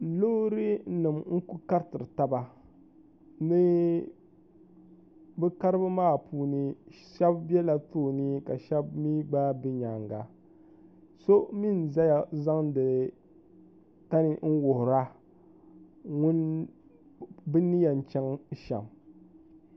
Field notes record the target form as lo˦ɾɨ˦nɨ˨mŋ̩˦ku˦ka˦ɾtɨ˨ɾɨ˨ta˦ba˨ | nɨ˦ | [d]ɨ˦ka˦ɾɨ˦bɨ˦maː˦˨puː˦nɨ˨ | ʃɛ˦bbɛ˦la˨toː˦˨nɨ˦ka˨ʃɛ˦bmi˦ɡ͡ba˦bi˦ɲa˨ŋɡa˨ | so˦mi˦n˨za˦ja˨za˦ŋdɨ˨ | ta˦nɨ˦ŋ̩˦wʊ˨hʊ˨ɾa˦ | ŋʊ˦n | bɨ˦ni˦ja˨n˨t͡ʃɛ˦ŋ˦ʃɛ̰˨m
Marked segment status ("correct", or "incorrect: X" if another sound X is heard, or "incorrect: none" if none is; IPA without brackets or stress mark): incorrect: b